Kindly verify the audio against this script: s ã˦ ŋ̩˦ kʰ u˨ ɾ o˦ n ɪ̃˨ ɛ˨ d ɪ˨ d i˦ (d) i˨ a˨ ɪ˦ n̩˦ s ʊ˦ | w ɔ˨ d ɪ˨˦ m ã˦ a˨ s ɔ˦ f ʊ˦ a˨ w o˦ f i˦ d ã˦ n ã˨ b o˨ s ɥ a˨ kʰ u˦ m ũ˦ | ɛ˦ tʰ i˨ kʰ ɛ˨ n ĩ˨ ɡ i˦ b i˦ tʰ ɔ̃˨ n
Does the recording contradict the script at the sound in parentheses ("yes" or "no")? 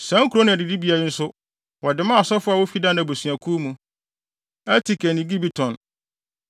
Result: yes